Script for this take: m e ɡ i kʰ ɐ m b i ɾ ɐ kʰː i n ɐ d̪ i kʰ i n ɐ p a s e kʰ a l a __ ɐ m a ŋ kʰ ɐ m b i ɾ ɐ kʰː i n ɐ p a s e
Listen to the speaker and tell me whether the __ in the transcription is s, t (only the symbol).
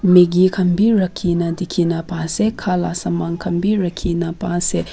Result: s